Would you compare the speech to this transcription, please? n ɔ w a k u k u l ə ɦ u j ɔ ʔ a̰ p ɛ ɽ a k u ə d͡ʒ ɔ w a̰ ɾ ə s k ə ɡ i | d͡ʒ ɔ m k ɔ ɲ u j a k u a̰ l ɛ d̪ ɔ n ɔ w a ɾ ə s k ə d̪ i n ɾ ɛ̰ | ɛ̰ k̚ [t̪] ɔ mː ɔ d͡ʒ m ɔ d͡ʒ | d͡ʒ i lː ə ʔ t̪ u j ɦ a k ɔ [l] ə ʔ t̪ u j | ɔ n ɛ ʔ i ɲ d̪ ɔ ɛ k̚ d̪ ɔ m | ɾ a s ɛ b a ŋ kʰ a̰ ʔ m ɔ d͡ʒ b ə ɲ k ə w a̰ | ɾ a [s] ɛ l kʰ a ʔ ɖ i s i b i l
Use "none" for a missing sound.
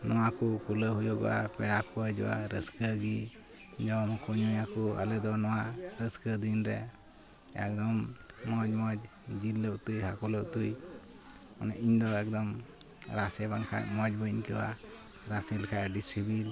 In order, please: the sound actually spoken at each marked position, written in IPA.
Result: d̪, l, s

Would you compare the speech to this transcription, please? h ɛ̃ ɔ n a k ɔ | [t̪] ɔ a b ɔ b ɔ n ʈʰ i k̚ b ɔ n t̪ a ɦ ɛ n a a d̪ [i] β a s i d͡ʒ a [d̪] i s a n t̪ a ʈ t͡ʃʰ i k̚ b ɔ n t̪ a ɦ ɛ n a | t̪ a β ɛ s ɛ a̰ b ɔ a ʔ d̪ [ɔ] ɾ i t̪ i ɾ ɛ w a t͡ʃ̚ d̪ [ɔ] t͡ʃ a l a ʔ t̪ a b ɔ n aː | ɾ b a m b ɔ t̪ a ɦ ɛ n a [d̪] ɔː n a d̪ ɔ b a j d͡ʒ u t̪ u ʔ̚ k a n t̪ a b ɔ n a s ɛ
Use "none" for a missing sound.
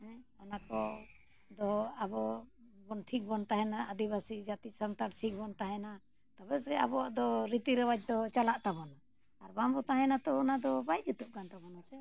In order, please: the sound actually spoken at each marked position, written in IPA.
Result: d̪, i, t̪, ɔ, ɔ, t̪

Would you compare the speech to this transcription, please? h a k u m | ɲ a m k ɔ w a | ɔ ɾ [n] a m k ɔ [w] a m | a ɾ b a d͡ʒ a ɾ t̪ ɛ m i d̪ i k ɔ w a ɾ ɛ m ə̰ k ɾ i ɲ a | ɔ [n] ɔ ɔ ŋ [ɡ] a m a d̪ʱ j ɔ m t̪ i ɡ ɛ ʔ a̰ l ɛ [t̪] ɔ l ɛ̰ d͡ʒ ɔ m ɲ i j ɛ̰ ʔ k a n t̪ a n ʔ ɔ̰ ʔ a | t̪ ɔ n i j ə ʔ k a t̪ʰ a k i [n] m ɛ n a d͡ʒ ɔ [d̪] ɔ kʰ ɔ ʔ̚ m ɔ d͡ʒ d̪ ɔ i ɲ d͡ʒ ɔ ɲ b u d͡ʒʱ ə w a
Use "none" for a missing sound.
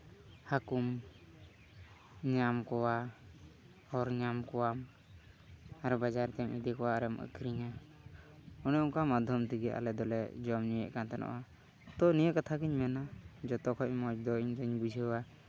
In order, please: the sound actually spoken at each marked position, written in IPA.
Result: ɲ, w, n, k, d̪, ɲ, t̪

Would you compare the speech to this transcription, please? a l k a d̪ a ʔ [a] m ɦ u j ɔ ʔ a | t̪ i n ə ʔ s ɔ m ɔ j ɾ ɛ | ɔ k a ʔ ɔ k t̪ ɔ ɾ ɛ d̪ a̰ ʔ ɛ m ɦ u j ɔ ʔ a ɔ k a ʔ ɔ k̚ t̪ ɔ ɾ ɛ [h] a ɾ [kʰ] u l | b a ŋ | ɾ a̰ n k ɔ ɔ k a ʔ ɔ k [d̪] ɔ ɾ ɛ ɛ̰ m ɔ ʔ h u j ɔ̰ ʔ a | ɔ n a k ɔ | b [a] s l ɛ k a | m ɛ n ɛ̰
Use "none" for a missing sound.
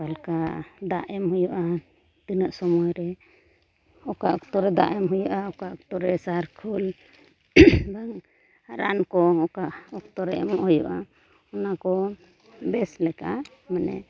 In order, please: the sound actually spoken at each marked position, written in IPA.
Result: ɛ, s, kʰ, t̪, ɛ

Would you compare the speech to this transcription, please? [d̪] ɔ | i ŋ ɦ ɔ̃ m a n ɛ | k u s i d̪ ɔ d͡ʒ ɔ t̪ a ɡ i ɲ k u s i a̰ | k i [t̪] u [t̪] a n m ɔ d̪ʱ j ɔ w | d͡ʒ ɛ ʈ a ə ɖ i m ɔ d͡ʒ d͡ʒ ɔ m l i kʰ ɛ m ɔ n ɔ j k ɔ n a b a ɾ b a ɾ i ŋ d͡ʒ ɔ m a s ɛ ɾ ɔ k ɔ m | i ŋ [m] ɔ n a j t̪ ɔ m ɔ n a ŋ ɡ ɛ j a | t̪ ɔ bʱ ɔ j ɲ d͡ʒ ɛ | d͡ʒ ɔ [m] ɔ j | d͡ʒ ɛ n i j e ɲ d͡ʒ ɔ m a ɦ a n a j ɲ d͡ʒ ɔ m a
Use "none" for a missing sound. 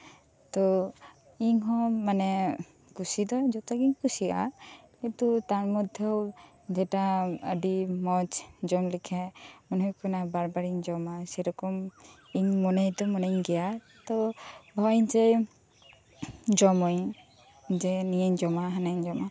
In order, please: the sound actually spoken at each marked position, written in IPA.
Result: t̪, t̪, t̪, m, m

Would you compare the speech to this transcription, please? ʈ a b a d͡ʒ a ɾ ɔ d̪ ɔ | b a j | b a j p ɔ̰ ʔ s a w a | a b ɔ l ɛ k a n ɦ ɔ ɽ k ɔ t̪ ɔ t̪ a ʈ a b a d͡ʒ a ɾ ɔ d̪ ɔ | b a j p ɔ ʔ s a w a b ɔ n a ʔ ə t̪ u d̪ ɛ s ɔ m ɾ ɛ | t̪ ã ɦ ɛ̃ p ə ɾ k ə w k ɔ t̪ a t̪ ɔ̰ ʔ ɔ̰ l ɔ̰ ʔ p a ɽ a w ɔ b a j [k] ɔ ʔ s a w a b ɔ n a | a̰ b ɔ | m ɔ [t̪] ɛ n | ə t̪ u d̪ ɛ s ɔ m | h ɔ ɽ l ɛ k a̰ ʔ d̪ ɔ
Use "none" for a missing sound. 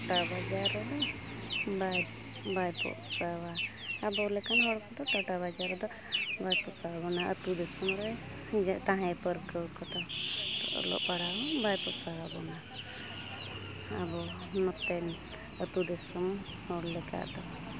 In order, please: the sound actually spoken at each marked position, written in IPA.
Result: p, t̪

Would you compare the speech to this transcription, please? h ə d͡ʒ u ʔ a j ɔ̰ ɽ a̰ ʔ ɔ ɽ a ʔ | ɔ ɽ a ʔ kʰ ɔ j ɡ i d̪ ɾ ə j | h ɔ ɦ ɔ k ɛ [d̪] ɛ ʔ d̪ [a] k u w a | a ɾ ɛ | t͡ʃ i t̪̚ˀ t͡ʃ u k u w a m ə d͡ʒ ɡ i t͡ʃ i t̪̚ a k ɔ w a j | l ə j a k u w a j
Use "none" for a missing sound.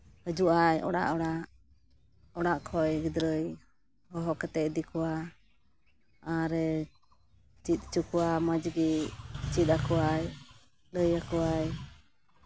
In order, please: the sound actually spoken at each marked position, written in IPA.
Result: t̪, i

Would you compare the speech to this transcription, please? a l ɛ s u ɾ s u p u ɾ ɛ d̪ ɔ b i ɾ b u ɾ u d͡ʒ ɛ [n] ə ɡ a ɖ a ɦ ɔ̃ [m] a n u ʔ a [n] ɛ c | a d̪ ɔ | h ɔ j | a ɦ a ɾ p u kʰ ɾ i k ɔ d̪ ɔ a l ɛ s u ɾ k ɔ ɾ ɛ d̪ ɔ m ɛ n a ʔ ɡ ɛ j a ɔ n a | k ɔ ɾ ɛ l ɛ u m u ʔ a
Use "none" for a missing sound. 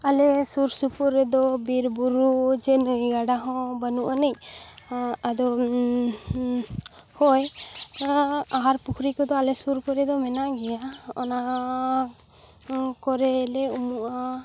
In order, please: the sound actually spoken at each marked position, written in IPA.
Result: n, b, n

